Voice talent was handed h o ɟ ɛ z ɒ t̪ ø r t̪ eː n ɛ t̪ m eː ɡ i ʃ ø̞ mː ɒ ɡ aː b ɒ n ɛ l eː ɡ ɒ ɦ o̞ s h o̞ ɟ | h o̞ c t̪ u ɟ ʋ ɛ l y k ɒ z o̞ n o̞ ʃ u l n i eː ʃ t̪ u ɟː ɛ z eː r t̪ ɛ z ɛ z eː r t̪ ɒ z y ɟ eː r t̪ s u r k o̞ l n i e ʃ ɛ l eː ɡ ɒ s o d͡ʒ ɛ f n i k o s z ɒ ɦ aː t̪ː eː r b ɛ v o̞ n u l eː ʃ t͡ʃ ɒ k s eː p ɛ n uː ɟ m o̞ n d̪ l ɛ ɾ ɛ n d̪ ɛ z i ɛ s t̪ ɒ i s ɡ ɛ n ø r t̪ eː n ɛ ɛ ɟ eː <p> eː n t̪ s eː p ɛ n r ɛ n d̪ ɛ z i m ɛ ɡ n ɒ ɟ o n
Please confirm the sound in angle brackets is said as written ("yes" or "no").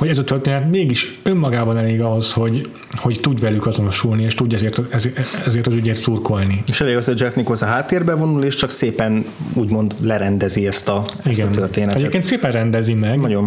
no